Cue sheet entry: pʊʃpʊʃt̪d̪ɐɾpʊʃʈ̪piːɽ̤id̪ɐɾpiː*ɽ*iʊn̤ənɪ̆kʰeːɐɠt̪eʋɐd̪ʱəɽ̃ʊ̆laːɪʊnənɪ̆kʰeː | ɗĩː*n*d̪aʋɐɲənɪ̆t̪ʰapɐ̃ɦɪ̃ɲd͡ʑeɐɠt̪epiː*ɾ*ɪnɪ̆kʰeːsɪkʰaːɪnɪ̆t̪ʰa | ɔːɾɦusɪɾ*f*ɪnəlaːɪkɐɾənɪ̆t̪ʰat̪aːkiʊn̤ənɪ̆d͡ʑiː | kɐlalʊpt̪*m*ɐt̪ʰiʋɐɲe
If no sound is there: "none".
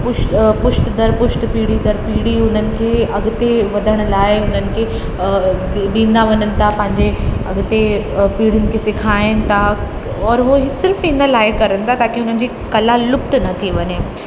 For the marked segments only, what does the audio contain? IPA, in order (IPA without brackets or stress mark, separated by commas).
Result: ɽ, n, ɽ, f, n